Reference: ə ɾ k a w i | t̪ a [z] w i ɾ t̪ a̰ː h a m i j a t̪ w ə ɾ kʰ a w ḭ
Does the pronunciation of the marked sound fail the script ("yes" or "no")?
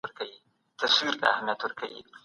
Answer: yes